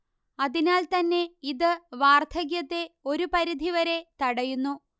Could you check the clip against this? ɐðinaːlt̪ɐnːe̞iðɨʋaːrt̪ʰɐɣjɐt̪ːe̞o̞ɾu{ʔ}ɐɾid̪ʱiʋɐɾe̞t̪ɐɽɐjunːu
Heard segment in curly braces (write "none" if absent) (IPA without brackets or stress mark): p